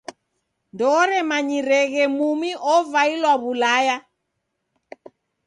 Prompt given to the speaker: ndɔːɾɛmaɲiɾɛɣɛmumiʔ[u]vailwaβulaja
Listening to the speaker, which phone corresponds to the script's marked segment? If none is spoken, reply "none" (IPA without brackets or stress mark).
ɔ